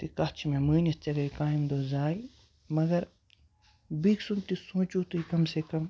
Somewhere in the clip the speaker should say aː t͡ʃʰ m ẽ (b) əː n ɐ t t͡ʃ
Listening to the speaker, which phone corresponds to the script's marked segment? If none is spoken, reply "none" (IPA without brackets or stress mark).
m